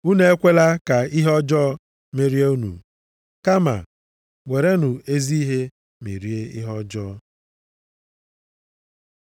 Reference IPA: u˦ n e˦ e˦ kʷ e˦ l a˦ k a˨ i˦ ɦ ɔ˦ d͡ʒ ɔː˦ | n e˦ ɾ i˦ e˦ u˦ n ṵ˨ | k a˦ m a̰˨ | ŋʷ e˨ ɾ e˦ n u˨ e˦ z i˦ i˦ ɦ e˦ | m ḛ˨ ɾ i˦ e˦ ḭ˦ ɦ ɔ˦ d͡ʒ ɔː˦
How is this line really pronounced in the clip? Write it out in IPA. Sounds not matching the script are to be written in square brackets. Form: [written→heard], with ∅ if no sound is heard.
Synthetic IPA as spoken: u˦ n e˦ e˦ kʷ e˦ l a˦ k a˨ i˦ ɦ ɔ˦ d͡ʒ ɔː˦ | [n→m] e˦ ɾ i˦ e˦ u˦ n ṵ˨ | k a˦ m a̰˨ | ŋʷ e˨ ɾ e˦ n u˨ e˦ z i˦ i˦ ɦ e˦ | m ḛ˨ ɾ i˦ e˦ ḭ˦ ɦ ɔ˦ d͡ʒ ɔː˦